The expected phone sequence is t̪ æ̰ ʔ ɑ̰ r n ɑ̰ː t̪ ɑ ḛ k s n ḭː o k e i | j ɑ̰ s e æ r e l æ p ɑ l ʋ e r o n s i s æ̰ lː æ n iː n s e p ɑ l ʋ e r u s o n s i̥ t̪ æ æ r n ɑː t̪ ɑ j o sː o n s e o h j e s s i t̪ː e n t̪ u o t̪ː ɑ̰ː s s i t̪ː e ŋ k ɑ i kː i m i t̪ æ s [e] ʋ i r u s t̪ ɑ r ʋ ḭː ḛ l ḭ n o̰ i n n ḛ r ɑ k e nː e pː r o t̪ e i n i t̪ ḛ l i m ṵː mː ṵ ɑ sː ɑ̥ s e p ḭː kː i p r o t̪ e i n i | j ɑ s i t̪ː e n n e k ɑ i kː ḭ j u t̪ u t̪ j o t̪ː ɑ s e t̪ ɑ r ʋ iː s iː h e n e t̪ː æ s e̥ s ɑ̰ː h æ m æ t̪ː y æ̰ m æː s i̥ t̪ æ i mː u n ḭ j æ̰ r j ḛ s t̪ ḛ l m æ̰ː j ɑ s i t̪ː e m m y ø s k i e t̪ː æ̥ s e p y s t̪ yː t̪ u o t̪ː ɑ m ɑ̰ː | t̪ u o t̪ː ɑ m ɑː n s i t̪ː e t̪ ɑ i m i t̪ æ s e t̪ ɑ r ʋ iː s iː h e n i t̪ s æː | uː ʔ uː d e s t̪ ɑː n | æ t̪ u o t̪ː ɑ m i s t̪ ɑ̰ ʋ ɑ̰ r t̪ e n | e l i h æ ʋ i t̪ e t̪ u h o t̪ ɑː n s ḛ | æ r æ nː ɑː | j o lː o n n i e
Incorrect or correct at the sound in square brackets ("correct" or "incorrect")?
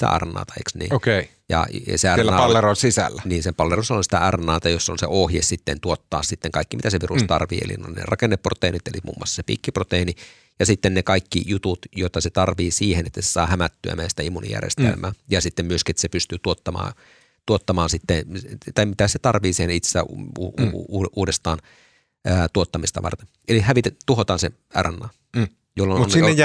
correct